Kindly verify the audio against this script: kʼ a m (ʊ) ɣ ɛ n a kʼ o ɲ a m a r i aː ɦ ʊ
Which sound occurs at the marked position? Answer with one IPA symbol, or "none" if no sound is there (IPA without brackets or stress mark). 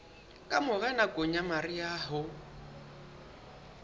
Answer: ʊ